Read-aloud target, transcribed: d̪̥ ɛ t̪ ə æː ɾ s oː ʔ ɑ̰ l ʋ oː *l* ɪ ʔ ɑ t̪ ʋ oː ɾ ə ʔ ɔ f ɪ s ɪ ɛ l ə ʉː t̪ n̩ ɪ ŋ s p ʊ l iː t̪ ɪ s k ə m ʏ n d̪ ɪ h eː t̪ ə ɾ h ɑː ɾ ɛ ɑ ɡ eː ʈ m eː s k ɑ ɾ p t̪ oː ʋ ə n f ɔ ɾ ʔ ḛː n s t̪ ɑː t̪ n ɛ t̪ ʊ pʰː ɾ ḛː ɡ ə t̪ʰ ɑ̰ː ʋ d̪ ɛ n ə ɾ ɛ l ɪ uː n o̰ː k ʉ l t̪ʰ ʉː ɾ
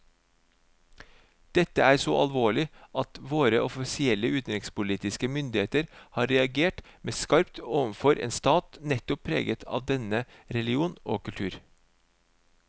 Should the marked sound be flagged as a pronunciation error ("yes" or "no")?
yes